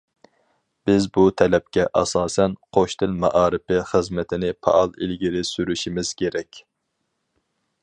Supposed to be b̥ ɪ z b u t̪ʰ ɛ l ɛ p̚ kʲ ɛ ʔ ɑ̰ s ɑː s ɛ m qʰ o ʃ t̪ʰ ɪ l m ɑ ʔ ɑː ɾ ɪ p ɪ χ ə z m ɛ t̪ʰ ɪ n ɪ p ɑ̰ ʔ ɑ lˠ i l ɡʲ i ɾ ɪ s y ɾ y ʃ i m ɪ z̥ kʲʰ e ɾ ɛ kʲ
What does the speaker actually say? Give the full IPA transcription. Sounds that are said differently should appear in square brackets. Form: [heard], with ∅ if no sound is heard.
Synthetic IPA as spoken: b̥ ɪ z b u t̪ʰ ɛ l ɛ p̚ kʲ ɛ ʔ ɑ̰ s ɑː s ɛ [n] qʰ o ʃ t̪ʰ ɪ l m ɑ ʔ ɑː ɾ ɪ p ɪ χ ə z m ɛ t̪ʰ ɪ n ɪ [pʰ] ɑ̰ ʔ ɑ lˠ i l ɡʲ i ɾ ɪ s y ɾ y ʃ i m ɪ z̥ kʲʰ e ɾ ɛ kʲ